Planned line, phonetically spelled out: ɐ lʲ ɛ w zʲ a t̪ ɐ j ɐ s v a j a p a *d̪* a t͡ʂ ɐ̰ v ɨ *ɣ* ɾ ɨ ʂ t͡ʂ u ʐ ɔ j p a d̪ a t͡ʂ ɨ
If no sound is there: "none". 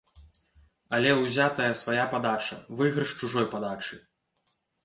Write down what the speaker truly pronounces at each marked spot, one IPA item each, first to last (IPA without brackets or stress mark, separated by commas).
d̪, ɣ